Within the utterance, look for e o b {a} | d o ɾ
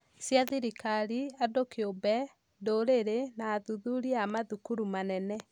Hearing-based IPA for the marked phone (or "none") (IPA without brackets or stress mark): ɛ